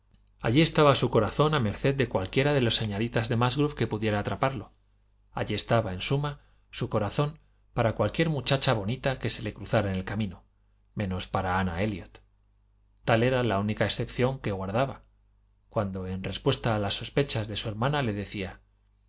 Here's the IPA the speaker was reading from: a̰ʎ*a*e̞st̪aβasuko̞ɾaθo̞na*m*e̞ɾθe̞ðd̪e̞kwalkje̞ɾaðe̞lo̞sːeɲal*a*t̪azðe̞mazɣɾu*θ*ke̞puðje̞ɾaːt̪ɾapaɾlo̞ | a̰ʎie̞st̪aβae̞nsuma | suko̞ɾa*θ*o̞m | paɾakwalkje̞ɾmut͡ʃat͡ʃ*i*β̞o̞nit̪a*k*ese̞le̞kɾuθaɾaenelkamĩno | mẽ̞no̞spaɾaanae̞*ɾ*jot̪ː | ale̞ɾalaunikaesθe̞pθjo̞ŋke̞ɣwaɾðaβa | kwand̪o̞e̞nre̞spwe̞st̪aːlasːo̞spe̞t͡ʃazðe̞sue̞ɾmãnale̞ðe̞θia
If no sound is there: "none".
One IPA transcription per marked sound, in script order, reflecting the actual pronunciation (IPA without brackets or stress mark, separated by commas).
i, m, i, f, θ, a, k, l